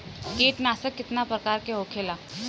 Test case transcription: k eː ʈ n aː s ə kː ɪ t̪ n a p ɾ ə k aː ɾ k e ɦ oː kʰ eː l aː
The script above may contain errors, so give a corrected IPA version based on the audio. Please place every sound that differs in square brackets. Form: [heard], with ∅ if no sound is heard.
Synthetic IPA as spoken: k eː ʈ n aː s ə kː ɪ t̪ n a p ɾ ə k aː ɾ k e ɦ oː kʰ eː l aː